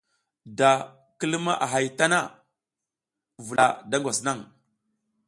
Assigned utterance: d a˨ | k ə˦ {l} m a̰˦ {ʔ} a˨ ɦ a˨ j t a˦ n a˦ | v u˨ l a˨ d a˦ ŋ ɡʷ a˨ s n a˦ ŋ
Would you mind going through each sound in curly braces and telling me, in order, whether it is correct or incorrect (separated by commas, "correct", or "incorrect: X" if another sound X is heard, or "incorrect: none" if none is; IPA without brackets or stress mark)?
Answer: correct, correct